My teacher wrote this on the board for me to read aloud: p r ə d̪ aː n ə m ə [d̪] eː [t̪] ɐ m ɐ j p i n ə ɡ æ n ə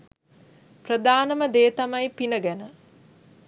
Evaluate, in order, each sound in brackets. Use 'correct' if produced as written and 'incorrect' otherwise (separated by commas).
correct, correct